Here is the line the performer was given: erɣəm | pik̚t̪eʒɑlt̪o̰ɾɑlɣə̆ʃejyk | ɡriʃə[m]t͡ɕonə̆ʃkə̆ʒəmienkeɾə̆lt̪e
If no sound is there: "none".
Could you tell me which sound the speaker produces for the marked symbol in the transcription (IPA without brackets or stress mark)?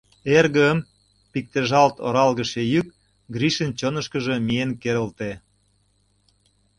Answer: n